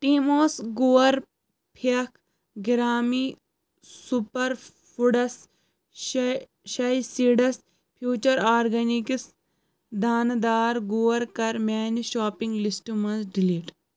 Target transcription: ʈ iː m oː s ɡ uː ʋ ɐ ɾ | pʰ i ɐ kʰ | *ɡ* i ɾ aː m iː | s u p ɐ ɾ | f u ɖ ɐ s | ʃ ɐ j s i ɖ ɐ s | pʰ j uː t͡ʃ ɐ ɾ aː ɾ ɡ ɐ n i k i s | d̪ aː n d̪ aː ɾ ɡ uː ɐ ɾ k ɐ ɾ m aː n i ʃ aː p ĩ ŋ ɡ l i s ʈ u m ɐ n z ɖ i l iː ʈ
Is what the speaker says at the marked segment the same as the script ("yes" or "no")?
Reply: yes